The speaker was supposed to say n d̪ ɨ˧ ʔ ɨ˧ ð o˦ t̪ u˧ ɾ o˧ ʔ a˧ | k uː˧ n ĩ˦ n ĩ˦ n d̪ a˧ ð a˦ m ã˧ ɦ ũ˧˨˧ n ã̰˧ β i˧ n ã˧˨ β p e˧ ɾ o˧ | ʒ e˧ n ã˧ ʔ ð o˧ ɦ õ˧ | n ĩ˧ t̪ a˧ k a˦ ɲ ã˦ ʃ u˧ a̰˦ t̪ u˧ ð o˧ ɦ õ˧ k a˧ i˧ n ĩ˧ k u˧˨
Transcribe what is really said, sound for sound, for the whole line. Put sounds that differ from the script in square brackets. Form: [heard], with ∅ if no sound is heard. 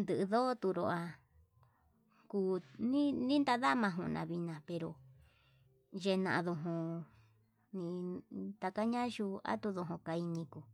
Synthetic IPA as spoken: n d̪ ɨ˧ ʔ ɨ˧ ð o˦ t̪ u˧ ɾ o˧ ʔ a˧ | k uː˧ n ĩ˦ n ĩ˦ n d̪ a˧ ð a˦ m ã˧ ɦ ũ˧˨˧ n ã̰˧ β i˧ n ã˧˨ [∅] p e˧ ɾ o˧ | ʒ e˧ n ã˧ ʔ ð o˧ ɦ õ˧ | n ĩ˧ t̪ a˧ k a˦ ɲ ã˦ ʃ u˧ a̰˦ t̪ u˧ ð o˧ ɦ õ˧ k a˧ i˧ n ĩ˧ k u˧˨